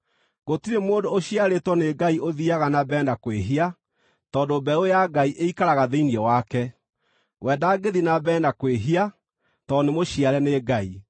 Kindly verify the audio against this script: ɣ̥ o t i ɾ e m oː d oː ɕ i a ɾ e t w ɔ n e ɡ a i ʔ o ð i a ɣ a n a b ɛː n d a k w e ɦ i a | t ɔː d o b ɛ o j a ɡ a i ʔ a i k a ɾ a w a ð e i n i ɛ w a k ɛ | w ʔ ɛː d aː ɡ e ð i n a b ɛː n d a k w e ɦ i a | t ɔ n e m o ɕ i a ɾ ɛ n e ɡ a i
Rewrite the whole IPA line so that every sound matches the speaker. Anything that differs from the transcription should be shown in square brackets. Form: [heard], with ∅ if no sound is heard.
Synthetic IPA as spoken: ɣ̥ o t i ɾ e m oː d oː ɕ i a ɾ e t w ɔ n e ɡ a i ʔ o ð i a ɣ a n a b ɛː n d a k w e ɦ i a | t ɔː d o b ɛ o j a ɡ a i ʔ [e] i k a ɾ a [ɣ] a ð e i n i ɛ w a k ɛ | w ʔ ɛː d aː ɡ e ð i n a b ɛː n d a k w e ɦ i a | t ɔ n e m o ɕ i a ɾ ɛ n e ɡ a i